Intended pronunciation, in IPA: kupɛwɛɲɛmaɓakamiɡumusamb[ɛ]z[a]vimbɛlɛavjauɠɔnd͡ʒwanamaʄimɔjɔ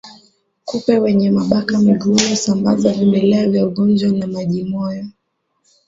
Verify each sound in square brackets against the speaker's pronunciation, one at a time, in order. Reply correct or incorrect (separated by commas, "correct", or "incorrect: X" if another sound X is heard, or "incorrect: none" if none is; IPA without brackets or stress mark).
incorrect: a, correct